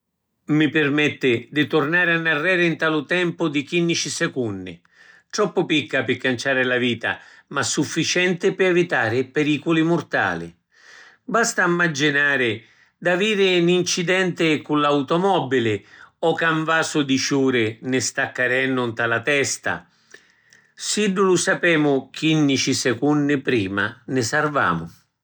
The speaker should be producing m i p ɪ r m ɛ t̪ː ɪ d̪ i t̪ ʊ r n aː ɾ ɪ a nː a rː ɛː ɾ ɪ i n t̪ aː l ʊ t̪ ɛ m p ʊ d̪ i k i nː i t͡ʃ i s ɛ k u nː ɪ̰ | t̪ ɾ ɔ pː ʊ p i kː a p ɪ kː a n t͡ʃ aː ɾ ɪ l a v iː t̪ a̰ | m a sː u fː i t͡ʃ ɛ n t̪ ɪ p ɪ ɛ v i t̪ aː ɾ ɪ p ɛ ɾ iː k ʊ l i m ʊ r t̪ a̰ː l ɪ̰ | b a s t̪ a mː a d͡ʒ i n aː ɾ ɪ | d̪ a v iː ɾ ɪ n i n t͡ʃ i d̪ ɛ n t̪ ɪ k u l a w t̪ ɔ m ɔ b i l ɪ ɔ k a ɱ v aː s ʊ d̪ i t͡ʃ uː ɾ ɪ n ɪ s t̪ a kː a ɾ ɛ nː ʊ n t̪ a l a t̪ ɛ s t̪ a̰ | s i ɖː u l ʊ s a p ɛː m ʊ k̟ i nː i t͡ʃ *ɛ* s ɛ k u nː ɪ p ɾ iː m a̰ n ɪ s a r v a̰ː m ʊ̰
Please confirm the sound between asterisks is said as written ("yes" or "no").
no